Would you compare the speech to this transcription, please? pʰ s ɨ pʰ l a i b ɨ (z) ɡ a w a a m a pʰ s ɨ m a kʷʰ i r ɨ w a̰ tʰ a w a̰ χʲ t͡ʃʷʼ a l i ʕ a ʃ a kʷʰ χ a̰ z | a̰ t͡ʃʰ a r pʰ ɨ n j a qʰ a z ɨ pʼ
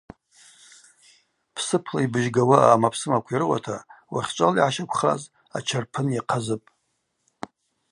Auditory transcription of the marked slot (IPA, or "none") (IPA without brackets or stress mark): ʒ